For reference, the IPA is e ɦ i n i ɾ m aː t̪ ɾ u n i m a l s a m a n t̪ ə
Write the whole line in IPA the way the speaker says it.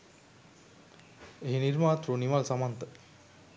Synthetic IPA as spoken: e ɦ i n i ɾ m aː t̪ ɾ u n i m a l s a m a n t̪ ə

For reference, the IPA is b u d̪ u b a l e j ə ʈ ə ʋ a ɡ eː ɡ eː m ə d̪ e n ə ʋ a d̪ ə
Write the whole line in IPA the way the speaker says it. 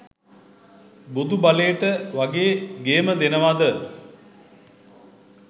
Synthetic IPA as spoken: b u d̪ u b a l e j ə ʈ ə ʋ a ɡ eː ɡ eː m ə d̪ e n ə ʋ a d̪ ə

